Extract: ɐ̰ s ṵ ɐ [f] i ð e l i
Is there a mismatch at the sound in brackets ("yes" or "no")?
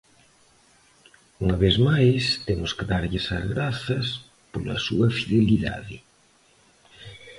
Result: no